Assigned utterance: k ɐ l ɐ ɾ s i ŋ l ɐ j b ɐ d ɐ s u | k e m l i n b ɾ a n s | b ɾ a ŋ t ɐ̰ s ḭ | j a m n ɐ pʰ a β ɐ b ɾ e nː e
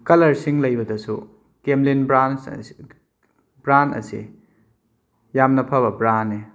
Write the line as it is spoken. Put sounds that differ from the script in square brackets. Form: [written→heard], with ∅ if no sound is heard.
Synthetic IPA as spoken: k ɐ l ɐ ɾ s i ŋ l ɐ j b ɐ d ɐ s u | k e m l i n b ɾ a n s | b ɾ a [ŋ→n] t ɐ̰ s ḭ | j a m n ɐ pʰ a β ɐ b ɾ [e→a] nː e